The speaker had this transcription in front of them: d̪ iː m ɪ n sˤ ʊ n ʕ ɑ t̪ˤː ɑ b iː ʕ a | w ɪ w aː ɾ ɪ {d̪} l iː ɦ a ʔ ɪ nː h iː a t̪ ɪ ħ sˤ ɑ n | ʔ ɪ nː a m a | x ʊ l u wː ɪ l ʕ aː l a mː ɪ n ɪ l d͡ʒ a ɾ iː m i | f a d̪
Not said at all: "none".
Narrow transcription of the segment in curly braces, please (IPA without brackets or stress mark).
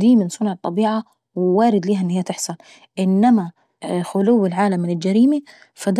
d̪